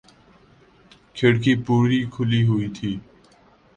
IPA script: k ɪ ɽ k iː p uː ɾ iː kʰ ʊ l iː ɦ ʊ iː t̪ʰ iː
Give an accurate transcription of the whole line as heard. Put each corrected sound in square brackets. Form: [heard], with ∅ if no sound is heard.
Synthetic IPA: [kʰ] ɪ ɽ k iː p uː ɾ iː kʰ ʊ l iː ɦ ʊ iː t̪ʰ iː